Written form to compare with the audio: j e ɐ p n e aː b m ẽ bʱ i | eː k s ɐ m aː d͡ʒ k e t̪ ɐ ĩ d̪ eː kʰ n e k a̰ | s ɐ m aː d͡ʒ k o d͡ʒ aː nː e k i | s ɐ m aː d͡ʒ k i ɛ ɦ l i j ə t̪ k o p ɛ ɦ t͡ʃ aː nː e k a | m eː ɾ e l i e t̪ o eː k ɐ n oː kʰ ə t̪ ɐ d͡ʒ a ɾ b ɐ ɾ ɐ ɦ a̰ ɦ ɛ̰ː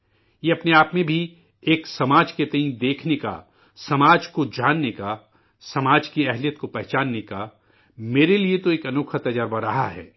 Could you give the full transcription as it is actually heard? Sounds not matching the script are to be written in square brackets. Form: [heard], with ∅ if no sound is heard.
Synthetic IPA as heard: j e ɐ p n e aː [p] m ẽ bʱ i | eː k s ɐ m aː d͡ʒ k e t̪ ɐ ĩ d̪ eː kʰ n e k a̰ | s ɐ m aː d͡ʒ k o d͡ʒ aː nː e k [a] | s ɐ m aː d͡ʒ k i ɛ ɦ l i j ə t̪ k o p ɛ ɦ t͡ʃ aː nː e k a | m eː ɾ e l i e t̪ o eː k ɐ n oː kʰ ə t̪ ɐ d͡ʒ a ɾ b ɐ ɾ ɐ ɦ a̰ ɦ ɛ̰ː